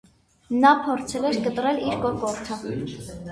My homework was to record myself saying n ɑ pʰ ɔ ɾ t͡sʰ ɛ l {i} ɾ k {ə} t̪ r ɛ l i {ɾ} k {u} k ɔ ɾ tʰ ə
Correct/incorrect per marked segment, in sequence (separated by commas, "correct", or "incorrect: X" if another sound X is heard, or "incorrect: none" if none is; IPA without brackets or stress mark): incorrect: ɛ, correct, correct, incorrect: ɔ